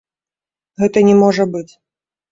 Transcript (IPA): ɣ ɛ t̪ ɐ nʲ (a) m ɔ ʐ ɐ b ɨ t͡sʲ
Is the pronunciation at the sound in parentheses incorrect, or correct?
incorrect